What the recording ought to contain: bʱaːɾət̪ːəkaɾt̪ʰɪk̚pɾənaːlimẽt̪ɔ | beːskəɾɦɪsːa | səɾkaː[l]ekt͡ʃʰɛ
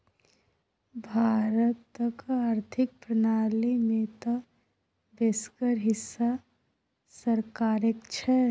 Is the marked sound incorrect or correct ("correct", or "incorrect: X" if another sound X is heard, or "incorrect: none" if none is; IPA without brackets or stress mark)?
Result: incorrect: ɾ